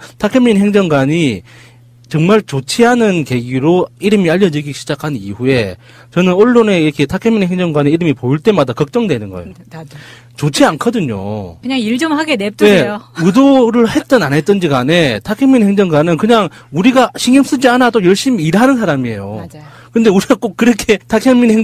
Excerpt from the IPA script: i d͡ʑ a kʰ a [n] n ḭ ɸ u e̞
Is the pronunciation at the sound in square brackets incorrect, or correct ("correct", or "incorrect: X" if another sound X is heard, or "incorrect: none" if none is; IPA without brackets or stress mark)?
correct